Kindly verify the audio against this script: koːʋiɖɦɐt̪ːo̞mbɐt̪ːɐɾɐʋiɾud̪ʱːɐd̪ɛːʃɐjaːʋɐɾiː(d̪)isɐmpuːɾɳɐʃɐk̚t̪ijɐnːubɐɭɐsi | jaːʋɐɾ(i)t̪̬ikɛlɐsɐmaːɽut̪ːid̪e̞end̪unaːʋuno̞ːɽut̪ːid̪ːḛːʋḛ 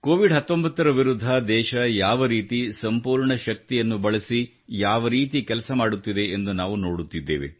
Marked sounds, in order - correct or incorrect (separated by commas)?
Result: incorrect, incorrect